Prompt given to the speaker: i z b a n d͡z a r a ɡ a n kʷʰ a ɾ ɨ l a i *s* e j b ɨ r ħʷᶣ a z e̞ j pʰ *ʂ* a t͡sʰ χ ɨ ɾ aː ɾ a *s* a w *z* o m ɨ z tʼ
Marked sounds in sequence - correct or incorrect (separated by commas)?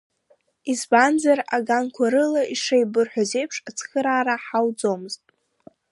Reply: incorrect, correct, incorrect, incorrect